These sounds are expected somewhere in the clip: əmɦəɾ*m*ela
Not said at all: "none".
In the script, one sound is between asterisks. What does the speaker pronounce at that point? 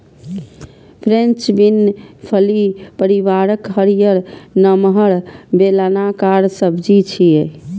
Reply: b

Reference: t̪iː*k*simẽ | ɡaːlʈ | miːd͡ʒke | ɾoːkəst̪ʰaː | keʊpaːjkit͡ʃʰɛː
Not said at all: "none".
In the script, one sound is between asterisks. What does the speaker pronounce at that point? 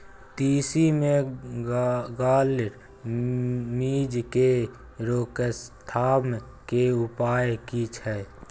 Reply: none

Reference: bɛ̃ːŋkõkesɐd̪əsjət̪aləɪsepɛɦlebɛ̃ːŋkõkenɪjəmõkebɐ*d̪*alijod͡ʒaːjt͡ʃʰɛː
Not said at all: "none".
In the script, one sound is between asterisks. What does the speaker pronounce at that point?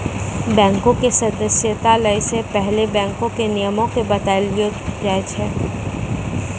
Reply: t̪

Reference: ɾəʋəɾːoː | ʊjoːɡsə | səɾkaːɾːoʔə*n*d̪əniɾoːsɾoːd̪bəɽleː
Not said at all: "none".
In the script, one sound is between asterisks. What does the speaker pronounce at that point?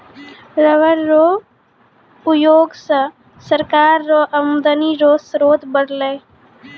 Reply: m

